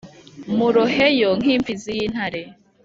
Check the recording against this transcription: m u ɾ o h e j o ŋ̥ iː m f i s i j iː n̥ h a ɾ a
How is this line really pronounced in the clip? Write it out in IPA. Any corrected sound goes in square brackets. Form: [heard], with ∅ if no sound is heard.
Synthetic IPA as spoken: m u ɾ o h e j o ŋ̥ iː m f i [z] i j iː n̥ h a ɾ [e]